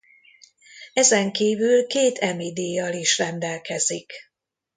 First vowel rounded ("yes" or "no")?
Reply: no